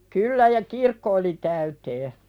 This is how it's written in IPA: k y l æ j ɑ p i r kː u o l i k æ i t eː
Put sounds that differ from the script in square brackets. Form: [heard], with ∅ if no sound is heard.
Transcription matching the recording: k y [lː] æ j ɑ [k] i r kː [o] o l i [t] æ [y] t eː

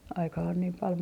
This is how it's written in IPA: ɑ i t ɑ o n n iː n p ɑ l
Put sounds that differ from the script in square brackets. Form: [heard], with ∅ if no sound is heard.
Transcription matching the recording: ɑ i [k] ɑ o n n iː [m] p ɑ l

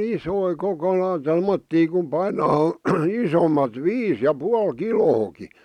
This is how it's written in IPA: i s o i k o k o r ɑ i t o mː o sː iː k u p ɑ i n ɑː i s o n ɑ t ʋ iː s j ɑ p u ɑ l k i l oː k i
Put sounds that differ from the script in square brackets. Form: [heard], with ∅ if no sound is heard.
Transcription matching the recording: i s o i k o k o [l] ɑ i t o mː o [tː] iː k u p ɑ i n ɑː i s o [m] ɑ t ʋ iː s j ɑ p u ɑ l k i l oː k i

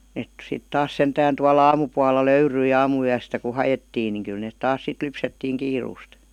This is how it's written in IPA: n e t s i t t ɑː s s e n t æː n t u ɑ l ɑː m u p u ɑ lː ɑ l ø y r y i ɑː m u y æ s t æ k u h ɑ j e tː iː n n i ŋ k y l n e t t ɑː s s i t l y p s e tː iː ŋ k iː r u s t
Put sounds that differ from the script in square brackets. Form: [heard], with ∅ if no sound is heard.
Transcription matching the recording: n e t s i t t ɑː s s e n t æː n t u ɑ l ɑː m u p u ɑ lː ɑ l ø y r y i ɑː m u y æ s t æ k u h ɑ j e tː iː n n i ŋ k y l n e t t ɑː s s i t l y p s e tː iː ŋ k iː r [uː] s t

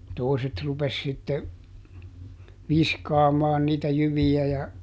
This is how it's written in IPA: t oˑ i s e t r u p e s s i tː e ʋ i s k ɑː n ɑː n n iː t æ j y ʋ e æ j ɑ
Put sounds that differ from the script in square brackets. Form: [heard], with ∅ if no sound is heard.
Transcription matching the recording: t oˑ i s e t r u p e s s i tː e ʋ i s k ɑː [m] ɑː n n iː t æ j y ʋ [i] æ j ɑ

